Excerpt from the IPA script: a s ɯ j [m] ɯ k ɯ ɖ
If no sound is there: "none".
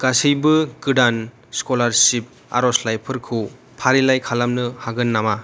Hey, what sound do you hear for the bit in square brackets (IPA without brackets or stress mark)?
b